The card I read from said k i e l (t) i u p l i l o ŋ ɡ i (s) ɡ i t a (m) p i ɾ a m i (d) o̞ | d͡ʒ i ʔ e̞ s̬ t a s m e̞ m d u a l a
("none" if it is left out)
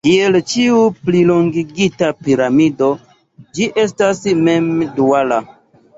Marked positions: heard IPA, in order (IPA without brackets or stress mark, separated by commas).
t͡ʃ, none, none, d